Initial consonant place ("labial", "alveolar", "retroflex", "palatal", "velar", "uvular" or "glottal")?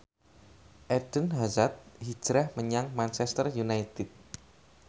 glottal